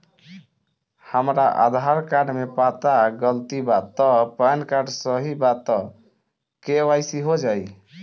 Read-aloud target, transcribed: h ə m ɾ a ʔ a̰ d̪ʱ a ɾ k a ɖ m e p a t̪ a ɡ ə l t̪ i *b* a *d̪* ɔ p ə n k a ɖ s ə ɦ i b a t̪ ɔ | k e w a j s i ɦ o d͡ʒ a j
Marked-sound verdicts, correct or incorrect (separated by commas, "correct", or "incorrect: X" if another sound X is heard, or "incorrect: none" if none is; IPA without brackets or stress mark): correct, incorrect: t̪